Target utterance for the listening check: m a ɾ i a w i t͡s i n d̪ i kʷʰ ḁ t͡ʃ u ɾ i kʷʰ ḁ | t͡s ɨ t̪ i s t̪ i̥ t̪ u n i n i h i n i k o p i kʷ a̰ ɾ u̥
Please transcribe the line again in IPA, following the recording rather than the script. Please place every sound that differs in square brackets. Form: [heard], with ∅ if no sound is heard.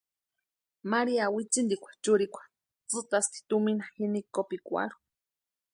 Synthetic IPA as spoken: m a ɾ i a w i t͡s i n d̪ i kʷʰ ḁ t͡ʃ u ɾ i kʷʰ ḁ | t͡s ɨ t̪ [a] s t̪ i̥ t̪ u [m] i n [a] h i n i k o p i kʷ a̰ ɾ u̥